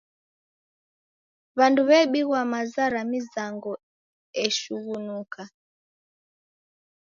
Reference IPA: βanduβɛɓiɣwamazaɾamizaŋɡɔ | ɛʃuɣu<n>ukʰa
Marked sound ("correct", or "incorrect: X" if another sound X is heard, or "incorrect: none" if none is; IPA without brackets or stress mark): correct